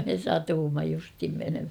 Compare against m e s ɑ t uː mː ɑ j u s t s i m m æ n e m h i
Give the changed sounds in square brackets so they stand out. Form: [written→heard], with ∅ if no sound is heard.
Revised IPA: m e s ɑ t uː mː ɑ j u s t [s→h] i m m [æ→e] n e m h [i→æ]